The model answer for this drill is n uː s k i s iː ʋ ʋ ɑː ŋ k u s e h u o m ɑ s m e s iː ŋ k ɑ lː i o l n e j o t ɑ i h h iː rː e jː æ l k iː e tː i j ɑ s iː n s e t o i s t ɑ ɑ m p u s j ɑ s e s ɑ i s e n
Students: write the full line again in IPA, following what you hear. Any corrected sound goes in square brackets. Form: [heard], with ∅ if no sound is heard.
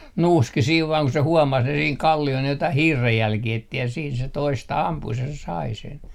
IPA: n uː s k i s iː ʋ ʋ ɑː ŋ k u s e h u o m ɑ s [n] e s iː ŋ k ɑ lː i o l n e j o t ɑ i h h iː rː e jː æ l k iː e tː i j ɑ s iː n s e t o i s t ɑ ɑ m p u s j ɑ s e s ɑ i s e n